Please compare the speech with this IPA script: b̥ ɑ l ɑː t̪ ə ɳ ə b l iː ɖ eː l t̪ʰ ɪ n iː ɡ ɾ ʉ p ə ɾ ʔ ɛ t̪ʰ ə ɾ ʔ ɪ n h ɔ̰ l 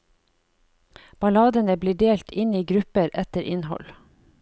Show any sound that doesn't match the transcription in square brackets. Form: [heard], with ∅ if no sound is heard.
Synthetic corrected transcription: b̥ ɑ l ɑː [d̪] ə [n] ə b l iː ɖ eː l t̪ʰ ɪ n iː ɡ ɾ ʉ p ə ɾ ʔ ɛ [t̪] ə ɾ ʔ ɪ n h ɔ̰ l